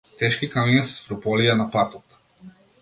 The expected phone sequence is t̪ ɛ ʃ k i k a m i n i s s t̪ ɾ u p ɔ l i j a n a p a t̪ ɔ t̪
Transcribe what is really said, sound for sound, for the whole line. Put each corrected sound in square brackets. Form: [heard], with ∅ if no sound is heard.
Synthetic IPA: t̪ ɛ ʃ k i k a m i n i s s t̪ ɾ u p ɔ l i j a n a p a t̪ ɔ t̪